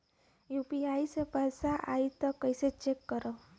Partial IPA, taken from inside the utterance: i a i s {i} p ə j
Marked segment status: incorrect: e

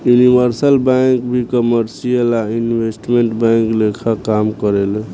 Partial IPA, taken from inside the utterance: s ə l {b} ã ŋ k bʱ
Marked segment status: correct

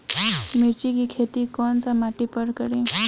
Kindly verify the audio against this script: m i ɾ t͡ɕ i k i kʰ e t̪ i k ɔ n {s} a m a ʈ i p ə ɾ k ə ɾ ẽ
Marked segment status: incorrect: t͡s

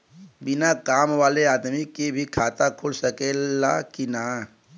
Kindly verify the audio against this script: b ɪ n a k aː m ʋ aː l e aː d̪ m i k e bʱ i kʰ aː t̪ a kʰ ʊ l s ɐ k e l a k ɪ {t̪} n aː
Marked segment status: incorrect: none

